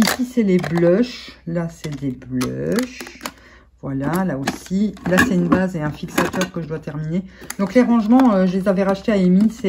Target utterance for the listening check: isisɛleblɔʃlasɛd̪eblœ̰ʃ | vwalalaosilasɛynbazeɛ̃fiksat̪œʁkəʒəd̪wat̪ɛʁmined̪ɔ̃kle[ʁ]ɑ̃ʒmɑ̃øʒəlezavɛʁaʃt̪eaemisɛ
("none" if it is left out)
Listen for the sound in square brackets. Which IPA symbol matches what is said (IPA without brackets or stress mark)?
ʁ